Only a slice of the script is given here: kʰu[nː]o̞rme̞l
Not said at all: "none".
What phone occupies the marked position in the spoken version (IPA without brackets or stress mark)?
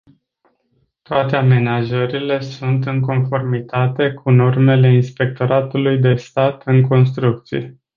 n